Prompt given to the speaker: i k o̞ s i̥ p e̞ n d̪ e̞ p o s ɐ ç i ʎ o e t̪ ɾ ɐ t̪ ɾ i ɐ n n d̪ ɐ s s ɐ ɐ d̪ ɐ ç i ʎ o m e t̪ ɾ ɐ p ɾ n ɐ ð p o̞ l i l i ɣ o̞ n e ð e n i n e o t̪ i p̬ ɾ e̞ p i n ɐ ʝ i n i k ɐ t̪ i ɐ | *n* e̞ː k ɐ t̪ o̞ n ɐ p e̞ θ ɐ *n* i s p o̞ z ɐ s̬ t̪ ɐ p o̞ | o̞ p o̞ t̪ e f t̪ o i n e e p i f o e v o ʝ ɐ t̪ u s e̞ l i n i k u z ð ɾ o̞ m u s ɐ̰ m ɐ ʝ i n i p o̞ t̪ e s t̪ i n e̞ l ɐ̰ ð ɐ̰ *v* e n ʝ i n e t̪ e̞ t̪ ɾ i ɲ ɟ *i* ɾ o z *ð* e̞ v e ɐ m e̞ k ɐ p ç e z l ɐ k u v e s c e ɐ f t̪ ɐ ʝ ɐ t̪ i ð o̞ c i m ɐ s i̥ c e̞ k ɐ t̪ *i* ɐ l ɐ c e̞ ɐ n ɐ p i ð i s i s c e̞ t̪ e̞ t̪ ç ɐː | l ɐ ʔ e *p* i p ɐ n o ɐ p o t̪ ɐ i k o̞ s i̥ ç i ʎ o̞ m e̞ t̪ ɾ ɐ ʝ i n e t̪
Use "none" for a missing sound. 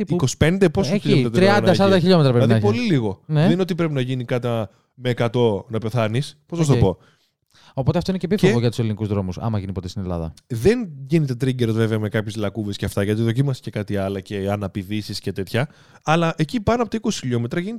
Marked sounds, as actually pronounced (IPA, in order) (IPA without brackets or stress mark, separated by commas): m, n, ð, e, v, i, c